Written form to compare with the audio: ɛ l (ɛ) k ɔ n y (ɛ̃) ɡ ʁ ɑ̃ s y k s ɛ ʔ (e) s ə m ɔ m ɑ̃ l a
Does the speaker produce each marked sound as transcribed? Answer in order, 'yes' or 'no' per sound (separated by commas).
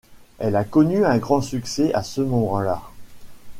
no, yes, no